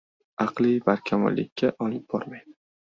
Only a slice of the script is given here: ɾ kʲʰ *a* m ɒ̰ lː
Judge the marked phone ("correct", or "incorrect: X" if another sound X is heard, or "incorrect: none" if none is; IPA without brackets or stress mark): correct